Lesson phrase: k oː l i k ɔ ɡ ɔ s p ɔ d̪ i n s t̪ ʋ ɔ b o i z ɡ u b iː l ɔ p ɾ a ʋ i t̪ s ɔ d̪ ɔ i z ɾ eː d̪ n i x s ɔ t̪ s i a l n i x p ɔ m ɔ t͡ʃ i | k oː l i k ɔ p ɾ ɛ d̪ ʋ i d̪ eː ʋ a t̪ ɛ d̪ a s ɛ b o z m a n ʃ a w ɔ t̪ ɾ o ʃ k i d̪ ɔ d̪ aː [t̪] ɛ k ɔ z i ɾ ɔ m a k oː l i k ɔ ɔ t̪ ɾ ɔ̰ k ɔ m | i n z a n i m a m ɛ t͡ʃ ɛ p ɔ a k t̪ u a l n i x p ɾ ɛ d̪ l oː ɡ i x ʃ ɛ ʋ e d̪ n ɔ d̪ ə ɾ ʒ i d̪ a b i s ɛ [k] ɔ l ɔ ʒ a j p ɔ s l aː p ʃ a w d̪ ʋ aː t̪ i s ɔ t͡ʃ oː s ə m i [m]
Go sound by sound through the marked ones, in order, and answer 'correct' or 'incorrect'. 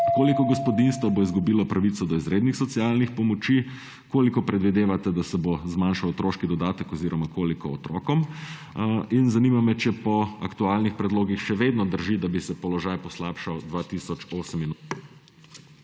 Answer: correct, incorrect, incorrect

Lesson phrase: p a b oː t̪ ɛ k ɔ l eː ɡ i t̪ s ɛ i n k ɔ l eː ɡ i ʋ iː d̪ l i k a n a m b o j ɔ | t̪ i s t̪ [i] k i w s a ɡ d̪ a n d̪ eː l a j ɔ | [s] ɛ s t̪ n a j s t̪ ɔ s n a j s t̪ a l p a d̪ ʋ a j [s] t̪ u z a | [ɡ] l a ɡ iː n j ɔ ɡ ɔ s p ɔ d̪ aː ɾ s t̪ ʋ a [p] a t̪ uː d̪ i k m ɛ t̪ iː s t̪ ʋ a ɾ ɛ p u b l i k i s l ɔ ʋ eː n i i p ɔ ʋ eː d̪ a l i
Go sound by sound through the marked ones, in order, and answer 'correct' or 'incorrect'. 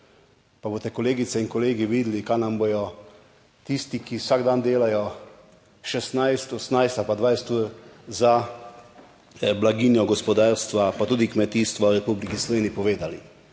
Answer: correct, incorrect, correct, incorrect, correct

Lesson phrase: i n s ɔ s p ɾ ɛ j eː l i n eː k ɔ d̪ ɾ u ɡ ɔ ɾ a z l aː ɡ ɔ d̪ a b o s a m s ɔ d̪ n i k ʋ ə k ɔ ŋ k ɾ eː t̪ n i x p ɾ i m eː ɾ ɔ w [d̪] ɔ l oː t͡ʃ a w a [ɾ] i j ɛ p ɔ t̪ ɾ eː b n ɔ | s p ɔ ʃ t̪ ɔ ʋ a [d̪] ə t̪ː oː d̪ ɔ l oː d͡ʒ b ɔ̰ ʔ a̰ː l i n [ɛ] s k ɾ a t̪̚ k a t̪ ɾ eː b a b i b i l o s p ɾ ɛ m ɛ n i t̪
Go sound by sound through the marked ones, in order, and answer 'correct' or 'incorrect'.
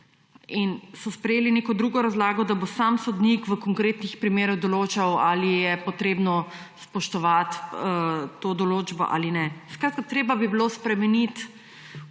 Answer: correct, incorrect, incorrect, correct

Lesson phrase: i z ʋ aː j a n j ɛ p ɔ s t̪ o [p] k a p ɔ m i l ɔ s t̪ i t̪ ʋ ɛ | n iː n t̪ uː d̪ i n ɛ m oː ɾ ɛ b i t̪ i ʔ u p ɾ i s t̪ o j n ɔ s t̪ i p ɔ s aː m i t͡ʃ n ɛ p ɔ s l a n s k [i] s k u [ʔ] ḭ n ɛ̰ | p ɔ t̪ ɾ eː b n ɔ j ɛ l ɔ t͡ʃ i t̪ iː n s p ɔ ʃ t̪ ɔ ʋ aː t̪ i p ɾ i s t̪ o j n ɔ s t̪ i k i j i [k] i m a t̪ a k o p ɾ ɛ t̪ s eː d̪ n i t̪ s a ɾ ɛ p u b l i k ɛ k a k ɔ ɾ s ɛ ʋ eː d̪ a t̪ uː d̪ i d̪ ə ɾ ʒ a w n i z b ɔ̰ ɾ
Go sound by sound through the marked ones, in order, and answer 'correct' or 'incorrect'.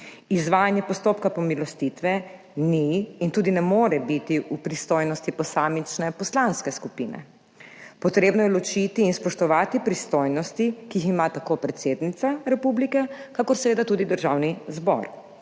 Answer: correct, incorrect, incorrect, incorrect

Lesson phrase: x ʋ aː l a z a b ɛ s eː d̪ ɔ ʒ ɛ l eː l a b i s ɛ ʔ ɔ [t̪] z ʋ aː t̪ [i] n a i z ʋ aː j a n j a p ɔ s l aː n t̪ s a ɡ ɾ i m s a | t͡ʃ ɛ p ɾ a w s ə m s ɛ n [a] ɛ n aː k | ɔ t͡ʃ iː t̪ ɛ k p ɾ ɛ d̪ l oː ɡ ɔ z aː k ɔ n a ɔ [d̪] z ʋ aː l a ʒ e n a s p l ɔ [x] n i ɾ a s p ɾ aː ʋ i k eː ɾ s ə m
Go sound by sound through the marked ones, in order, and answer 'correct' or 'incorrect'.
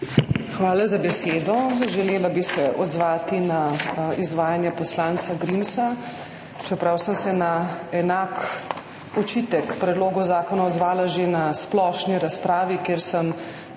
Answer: incorrect, correct, correct, correct, incorrect

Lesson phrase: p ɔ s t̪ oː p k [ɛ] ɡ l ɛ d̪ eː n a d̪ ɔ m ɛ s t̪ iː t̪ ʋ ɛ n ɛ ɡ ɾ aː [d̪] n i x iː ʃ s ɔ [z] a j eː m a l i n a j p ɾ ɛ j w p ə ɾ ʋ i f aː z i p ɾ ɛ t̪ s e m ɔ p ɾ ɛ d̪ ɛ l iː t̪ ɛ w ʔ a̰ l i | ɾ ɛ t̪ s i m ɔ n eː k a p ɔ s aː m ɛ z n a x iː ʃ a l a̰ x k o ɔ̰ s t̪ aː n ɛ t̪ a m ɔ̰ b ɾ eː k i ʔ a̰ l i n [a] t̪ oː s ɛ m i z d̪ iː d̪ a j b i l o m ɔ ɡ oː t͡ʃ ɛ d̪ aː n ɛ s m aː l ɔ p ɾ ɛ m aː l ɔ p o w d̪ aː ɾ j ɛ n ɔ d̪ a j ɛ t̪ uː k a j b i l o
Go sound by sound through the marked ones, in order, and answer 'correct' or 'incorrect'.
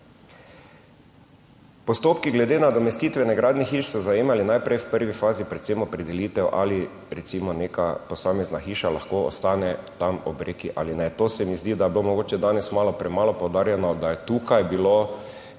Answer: incorrect, correct, correct, incorrect

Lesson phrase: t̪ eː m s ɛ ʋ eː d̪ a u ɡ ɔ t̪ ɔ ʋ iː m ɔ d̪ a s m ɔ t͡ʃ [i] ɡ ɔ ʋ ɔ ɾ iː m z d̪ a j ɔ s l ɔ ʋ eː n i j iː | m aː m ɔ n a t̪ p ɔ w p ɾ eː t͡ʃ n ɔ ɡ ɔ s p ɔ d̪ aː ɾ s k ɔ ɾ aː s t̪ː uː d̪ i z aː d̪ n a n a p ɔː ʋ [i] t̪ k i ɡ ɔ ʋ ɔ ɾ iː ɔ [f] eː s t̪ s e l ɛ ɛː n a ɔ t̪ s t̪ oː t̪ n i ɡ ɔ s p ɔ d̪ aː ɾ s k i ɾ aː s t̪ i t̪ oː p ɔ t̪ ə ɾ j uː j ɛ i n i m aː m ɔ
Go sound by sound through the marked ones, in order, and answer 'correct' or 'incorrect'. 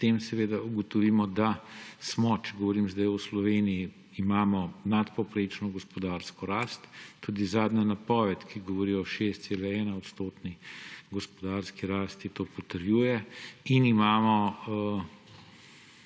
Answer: incorrect, incorrect, incorrect

